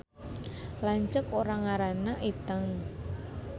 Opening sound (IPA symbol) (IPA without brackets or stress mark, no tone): l